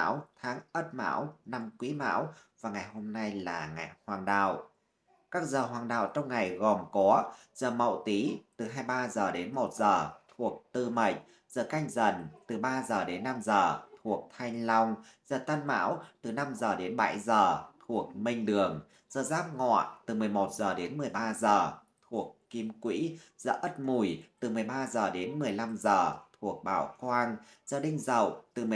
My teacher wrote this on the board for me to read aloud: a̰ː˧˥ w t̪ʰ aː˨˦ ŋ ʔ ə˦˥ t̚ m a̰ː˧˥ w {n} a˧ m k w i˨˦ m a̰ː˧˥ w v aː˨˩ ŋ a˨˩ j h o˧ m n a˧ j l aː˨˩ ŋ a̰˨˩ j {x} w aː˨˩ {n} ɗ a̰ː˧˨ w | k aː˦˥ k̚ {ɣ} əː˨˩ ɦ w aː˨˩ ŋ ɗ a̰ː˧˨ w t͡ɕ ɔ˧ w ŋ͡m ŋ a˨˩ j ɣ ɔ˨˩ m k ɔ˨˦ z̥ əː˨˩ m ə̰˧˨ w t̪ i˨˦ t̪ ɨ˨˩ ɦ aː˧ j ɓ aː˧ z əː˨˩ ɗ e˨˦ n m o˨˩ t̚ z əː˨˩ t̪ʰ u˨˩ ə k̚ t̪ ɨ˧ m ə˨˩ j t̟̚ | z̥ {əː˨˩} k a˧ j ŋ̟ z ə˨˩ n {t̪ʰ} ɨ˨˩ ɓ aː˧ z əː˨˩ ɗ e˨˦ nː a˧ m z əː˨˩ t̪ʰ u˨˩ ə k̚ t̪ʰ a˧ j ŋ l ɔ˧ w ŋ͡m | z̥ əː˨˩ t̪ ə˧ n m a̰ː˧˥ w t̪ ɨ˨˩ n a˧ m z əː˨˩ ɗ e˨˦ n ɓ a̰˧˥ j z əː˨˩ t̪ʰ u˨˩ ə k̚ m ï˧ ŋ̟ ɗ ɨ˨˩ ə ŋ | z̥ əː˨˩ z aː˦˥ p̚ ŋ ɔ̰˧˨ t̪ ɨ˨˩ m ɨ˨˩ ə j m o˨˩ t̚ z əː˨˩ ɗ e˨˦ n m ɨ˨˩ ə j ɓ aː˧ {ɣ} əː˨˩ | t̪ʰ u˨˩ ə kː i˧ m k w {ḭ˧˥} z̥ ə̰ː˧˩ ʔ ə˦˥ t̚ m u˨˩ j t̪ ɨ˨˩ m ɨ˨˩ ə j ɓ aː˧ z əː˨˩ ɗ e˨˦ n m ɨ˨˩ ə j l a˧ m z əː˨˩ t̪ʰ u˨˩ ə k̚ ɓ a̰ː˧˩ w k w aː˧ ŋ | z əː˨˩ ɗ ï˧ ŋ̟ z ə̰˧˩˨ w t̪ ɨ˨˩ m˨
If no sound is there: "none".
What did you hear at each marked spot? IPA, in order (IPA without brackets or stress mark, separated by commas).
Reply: n, h, ŋ, z, əː˨˩, t̪, z, ḭ˧˥